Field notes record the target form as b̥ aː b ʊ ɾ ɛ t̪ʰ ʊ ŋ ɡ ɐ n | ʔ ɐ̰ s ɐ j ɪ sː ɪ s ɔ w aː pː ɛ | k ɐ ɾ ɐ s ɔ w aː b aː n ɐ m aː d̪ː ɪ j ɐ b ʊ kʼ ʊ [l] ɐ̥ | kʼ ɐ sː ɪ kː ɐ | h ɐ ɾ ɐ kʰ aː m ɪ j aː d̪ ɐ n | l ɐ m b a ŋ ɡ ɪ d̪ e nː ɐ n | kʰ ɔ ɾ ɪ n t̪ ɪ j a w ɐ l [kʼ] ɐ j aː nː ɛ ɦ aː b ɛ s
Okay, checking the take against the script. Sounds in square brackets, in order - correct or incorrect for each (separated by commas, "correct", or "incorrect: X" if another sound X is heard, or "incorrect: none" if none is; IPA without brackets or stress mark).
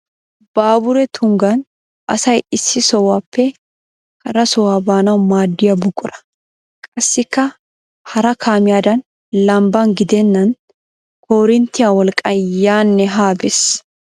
incorrect: ɾ, correct